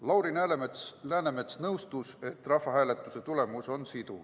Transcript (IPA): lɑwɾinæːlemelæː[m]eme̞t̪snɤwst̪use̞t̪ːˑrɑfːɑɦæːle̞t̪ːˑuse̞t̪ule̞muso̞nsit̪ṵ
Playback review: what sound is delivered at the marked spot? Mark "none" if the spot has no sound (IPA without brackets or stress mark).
n